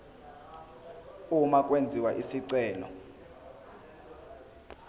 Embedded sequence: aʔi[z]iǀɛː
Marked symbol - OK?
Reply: no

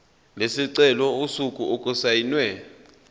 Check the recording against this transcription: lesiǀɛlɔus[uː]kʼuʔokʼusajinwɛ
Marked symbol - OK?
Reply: no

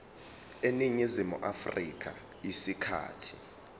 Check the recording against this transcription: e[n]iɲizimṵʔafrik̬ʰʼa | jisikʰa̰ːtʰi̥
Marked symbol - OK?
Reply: yes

